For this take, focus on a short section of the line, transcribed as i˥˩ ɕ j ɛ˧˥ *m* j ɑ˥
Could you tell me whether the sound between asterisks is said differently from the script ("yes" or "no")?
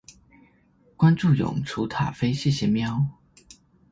no